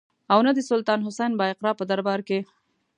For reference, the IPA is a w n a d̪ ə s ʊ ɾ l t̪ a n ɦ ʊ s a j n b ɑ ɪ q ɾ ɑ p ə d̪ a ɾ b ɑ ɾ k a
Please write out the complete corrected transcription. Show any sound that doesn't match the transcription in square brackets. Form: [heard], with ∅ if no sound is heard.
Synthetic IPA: a w n a d̪ ə s ʊ [∅] l t̪ [ɑ] n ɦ ʊ s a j n b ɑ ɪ q ɾ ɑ p ə d̪ a ɾ b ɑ ɾ k [e]